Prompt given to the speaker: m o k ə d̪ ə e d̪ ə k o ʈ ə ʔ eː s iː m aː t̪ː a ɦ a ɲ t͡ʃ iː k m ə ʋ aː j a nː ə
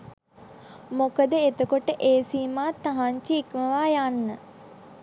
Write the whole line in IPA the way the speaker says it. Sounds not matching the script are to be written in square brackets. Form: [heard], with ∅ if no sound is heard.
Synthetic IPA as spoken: m o k ə d̪ ə e [t̪] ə k o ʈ ə ʔ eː s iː m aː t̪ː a ɦ a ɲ t͡ʃ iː k m ə ʋ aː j a nː ə